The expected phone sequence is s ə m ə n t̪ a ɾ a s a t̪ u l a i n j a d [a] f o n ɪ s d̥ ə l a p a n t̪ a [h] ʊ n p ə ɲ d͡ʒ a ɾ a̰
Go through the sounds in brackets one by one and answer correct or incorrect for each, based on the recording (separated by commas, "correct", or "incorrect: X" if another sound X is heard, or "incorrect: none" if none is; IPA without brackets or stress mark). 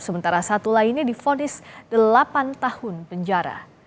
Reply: incorrect: i, correct